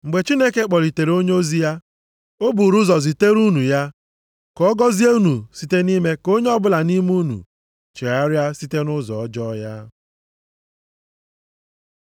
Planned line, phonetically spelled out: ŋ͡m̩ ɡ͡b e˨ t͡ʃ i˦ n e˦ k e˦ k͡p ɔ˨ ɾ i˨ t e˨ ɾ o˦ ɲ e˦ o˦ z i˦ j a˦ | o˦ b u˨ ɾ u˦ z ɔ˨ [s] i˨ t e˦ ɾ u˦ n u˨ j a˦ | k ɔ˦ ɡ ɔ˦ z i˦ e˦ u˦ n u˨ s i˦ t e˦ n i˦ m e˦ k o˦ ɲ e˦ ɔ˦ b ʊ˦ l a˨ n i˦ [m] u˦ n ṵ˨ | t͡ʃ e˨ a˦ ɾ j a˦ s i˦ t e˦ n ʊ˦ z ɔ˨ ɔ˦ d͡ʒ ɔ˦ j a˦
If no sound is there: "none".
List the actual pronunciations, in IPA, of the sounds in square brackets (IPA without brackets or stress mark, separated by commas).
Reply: z, m